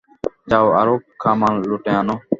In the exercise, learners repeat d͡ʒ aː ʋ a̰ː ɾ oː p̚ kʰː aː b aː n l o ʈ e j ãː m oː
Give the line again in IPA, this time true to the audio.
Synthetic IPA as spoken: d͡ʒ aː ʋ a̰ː ɾ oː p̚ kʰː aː m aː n l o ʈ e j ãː n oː